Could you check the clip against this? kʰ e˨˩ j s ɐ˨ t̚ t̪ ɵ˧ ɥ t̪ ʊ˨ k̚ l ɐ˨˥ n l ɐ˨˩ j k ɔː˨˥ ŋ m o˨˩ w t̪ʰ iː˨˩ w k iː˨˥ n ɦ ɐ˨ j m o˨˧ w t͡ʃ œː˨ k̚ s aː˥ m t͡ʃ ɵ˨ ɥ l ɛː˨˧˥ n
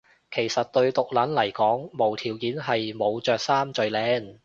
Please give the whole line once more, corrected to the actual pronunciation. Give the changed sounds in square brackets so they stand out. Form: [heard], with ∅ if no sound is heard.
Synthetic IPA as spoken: kʰ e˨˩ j s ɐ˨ t̚ t̪ ɵ˧ ɥ t̪ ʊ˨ k̚ l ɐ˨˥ n l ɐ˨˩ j k ɔː˨˥ ŋ m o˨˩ w t̪ʰ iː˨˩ w k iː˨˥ n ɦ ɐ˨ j m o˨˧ w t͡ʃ œː˨ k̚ s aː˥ m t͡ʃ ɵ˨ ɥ l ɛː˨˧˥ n